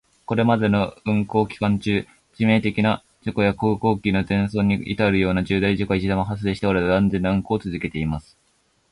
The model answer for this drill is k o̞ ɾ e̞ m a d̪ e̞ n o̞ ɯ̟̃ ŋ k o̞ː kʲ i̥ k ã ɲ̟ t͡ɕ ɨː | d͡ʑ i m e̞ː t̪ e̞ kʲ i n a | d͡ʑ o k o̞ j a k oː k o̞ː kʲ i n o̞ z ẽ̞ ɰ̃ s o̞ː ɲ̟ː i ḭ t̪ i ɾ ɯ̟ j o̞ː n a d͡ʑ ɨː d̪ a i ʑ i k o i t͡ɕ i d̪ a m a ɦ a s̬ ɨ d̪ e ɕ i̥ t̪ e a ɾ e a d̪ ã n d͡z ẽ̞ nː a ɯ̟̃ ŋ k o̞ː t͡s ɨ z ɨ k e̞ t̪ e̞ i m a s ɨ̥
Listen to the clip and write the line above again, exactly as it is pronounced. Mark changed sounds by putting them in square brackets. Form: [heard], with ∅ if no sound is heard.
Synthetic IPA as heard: k o̞ ɾ e̞ m a d̪ e̞ n o̞ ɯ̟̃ ŋ k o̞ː kʲ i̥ k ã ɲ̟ t͡ɕ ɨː | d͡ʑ i m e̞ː t̪ e̞ kʲ i n a | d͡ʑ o k o̞ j a k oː k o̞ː kʲ i n o̞ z ẽ̞ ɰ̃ s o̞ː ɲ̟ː i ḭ t̪ [a] ɾ ɯ̟ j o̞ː n a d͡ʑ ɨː d̪ a i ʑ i k o i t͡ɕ i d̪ a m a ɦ a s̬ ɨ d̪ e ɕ i̥ t̪ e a ɾ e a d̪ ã n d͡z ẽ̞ nː a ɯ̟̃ ŋ k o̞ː t͡s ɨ z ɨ k e̞ t̪ e̞ i m a s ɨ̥